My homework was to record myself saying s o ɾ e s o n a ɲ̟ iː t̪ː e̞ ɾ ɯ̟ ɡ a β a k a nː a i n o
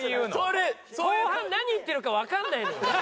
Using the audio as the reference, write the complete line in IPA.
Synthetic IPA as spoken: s o ɾ e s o n a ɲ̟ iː t̪ː e̞ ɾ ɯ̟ k a β a k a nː a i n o